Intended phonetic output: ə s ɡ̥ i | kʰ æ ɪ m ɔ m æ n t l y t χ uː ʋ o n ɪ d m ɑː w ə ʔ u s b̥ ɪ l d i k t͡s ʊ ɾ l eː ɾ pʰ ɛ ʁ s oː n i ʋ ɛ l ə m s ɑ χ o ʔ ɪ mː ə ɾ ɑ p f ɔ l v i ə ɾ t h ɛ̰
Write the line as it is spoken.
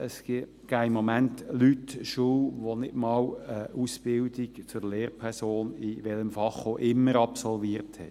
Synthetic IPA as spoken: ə s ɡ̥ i | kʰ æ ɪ m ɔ m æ n t l y t ʃ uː ʋ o n ɪ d m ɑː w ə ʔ u s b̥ ɪ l d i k t͡s ʊ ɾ l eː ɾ pʰ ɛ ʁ s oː n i ʋ ɛ l ə m f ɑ χ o ʔ ɪ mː ə ɾ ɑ p s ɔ l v i ə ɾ t h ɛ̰